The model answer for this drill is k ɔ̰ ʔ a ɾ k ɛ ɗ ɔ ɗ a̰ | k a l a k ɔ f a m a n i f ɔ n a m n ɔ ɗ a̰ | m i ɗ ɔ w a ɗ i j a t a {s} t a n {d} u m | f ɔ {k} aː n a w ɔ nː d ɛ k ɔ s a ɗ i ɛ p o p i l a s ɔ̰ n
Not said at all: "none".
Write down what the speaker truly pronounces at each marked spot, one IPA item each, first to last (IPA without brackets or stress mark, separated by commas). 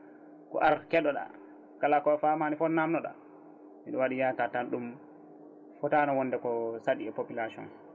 none, ɗ, t